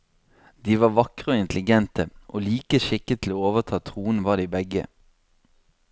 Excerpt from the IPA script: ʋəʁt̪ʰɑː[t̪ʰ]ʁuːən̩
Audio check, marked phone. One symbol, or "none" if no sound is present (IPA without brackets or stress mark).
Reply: t̪ʰ